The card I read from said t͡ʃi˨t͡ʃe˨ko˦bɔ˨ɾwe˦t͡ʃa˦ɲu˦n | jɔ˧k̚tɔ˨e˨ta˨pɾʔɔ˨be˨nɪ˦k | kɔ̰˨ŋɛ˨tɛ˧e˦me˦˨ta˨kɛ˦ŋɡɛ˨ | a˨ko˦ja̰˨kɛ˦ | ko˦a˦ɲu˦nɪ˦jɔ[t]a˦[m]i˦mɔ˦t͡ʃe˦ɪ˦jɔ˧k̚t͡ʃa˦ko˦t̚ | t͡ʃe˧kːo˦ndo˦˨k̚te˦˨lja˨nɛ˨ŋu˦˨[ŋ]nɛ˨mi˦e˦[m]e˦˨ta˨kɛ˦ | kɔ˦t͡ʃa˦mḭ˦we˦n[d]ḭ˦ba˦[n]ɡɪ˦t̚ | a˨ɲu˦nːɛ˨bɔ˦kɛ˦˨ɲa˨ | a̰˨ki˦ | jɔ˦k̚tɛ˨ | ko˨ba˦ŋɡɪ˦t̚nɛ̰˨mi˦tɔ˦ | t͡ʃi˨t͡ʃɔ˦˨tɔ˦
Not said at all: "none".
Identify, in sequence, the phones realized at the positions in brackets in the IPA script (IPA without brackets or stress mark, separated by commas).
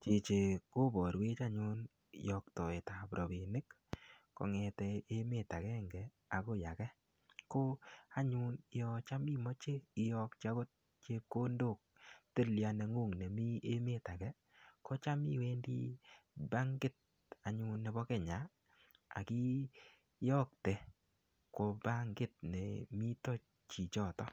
t͡ʃ, m, ŋ, m, d, ŋ